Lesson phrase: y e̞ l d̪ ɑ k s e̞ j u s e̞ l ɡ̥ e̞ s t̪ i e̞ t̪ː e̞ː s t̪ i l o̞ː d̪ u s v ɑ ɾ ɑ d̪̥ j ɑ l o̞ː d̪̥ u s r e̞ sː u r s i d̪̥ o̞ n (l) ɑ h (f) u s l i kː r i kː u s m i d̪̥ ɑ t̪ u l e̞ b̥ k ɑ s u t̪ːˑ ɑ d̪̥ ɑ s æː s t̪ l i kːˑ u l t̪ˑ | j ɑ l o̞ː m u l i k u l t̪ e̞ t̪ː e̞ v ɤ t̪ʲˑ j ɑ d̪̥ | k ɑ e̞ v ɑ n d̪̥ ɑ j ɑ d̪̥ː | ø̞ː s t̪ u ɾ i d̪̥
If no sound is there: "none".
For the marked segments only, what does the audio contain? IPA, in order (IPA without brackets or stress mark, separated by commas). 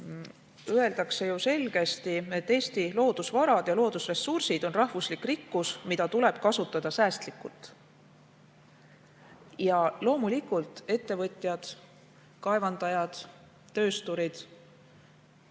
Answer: r, v